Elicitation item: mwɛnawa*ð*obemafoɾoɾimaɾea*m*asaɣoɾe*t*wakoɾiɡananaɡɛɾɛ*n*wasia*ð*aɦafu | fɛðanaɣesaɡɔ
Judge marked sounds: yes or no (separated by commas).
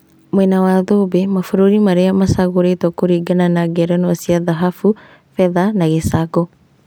yes, yes, yes, yes, yes